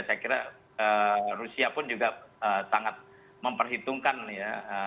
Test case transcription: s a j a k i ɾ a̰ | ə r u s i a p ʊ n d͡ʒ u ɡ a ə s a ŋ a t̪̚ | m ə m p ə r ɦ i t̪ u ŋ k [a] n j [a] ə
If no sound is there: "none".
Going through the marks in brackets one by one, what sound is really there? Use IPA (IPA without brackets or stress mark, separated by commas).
a, a